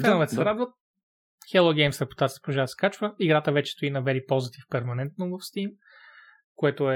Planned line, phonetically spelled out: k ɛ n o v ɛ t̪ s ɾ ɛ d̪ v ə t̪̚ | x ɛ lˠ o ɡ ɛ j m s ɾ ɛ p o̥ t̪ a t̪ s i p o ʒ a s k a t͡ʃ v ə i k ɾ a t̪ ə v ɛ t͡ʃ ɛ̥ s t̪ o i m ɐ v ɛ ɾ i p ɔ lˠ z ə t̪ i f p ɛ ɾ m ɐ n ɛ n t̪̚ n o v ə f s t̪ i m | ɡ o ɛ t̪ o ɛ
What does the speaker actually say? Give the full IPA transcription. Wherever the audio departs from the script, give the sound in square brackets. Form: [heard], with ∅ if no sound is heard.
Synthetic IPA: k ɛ n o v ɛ t̪ s ɾ [a] d̪ v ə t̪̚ | x ɛ lˠ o ɡ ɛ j m s ɾ ɛ p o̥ t̪ a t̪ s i p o ʒ a s k a t͡ʃ v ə i [ɡ] ɾ a t̪ ə v ɛ t͡ʃ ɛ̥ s t̪ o i [n] ɐ v ɛ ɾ i p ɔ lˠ z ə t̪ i f p ɛ ɾ m ɐ n ɛ n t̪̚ n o v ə f s t̪ i m | [k] o ɛ t̪ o ɛ